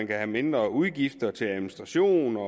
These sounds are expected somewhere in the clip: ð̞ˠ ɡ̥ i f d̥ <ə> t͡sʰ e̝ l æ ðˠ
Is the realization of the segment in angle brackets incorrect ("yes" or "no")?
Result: yes